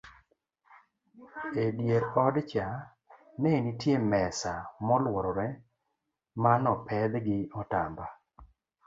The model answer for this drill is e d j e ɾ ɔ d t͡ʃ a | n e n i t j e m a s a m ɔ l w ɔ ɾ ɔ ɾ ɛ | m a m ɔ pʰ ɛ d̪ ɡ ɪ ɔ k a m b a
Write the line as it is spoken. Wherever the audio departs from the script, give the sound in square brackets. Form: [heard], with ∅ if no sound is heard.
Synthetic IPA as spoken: e d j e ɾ ɔ d t͡ʃ a | n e n i t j e m [ɛ] s a m ɔ l w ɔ ɾ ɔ ɾ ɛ | m a [n] ɔ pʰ ɛ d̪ ɡ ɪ ɔ [t] a m b a